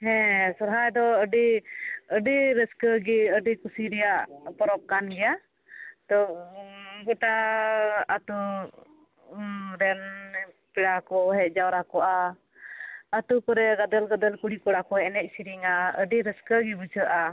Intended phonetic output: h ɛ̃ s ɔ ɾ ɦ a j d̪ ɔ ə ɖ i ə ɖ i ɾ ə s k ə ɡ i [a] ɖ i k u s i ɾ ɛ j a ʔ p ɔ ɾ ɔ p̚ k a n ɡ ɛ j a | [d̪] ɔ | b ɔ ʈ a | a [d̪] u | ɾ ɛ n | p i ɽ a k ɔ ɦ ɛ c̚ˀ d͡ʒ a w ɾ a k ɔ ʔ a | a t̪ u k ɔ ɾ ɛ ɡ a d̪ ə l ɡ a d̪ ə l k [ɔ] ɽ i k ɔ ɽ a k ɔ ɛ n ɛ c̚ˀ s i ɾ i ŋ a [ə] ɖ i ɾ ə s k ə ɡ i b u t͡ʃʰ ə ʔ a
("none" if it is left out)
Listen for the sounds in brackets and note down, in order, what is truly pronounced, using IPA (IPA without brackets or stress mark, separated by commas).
ə, t̪, t̪, u, ə